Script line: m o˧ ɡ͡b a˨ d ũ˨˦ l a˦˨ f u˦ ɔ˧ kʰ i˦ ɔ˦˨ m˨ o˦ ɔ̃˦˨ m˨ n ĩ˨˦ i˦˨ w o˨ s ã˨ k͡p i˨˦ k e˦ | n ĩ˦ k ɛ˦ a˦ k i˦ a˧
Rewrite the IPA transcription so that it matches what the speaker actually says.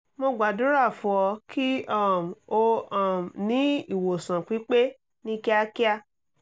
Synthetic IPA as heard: m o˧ ɡ͡b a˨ d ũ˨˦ ɾ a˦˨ f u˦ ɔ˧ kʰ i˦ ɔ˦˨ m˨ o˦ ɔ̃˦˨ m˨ n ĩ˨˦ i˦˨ w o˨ s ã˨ k͡p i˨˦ k͡p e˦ | n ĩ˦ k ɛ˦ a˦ k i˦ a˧